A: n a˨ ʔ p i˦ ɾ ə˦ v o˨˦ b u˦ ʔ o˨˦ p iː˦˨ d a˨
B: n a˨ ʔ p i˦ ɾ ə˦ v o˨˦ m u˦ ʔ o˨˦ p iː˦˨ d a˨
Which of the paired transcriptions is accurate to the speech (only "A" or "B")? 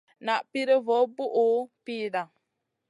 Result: A